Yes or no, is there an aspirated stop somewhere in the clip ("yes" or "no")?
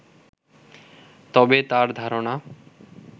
no